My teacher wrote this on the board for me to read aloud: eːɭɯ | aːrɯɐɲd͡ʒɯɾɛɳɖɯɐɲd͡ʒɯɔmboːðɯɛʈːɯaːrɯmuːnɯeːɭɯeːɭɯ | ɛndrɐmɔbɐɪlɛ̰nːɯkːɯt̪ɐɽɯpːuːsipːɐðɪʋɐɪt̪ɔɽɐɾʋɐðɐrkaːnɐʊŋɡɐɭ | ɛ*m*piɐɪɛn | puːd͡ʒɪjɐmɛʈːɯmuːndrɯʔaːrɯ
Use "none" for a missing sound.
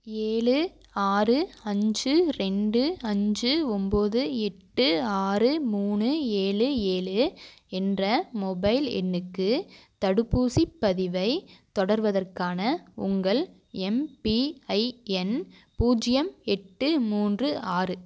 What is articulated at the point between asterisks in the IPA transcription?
m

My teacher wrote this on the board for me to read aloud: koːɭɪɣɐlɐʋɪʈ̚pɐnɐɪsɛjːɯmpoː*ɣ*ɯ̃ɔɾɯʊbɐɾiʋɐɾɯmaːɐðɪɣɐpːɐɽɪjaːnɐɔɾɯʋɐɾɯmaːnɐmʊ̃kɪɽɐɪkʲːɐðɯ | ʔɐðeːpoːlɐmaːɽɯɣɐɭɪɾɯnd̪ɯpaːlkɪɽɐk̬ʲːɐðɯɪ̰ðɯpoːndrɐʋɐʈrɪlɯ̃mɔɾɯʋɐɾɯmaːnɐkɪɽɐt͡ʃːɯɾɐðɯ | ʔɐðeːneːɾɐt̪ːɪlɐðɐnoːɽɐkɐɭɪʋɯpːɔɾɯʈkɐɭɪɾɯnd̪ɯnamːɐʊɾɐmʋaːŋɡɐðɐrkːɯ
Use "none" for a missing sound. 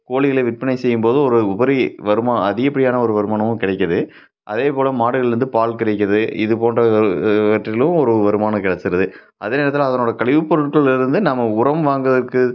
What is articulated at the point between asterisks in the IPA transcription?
ð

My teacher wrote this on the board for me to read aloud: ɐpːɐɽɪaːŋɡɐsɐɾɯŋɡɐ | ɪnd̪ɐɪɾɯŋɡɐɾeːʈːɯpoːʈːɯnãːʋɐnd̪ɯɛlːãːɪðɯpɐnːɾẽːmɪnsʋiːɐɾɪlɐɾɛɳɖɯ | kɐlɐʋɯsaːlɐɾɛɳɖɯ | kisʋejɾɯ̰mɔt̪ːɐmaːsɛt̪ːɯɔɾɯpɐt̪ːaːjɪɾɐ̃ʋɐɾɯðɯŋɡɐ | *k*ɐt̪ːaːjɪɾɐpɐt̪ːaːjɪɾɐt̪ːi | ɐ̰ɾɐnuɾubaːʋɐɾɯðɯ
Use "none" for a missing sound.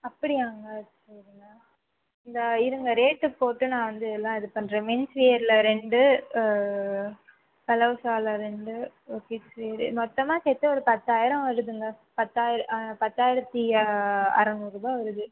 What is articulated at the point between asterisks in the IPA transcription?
p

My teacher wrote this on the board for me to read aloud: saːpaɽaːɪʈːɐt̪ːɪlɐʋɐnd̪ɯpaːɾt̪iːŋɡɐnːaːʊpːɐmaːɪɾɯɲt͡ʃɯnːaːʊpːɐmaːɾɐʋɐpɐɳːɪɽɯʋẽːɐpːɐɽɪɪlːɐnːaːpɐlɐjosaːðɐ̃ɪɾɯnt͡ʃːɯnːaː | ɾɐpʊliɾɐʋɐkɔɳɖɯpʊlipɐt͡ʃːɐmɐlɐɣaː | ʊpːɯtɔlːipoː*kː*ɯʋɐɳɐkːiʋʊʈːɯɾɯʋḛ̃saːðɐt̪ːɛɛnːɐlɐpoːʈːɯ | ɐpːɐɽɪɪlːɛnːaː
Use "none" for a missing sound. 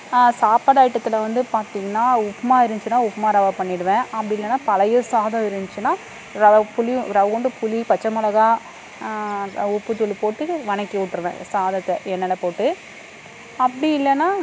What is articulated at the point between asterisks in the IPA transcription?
ʈː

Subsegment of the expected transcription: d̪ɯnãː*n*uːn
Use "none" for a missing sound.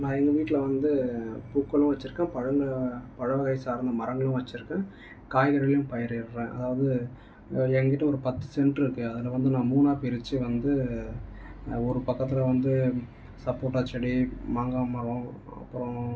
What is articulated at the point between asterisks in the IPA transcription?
m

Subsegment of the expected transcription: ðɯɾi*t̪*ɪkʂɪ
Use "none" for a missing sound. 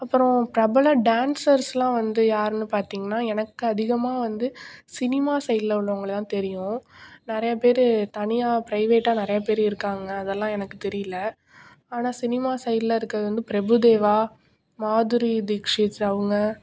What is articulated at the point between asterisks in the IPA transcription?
d̪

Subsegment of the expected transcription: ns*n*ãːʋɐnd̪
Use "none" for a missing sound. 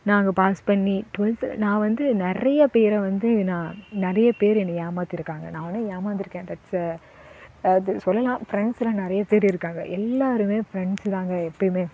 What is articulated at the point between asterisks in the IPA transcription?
n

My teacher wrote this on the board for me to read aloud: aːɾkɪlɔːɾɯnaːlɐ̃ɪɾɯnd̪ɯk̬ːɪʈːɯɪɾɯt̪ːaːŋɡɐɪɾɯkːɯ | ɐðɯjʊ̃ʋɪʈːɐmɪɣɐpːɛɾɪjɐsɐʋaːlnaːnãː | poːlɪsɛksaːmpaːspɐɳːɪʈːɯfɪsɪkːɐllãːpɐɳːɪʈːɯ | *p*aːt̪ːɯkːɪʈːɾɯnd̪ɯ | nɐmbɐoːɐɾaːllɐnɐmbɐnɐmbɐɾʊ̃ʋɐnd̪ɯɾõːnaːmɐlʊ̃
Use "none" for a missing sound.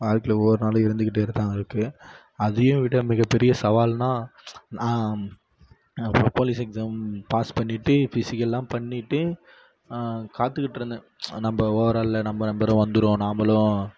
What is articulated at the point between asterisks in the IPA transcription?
k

